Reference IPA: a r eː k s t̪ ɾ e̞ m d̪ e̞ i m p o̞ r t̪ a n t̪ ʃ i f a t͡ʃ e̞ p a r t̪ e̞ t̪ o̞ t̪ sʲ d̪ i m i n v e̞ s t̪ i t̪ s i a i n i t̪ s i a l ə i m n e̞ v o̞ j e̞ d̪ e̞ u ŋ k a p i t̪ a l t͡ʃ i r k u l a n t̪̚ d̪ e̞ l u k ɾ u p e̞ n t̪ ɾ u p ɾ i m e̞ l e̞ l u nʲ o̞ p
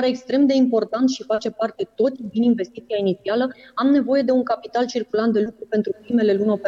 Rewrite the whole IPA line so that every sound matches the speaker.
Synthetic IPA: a ɾ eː k s t̪ ɾ e̞ m d̪ e̞ i m p o̞ r t̪ a n t̪ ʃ i f a t͡ʃ e̞ p a r t̪ e̞ t̪ o̞ t̪ sʲ d̪ i n i n v e̞ s t̪ i t̪ s i a i n i t̪ s i a l ə a m n e̞ v o̞ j e̞ d̪ e̞ u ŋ k a p i t̪ a l t͡ʃ i r k u l a n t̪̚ d̪ e̞ l u k ɾ u p e̞ n t̪ ɾ u p ɾ i m e̞ l e̞ l u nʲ o̞ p